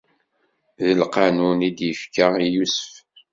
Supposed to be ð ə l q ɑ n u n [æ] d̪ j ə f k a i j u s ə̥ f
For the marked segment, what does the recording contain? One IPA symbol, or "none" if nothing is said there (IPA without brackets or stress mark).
i